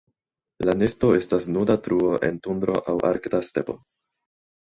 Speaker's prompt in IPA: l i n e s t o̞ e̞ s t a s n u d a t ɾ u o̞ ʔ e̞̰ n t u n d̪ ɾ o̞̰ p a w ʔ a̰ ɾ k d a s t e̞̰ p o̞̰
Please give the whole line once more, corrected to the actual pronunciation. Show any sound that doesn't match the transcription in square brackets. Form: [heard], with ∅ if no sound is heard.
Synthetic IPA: l [a] n e s t o̞ e̞ s t a s n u d a t ɾ u o̞ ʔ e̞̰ n t u n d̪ ɾ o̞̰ [ʔ] a w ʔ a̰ ɾ k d a s t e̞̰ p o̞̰